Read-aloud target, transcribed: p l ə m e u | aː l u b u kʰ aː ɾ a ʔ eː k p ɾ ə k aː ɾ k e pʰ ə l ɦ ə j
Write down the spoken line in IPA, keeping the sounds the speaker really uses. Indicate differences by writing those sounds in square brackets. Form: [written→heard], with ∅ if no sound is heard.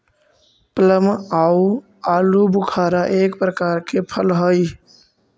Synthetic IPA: p l ə m [e→a] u | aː l u b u kʰ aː ɾ a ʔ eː k p ɾ ə k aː ɾ k e pʰ ə l ɦ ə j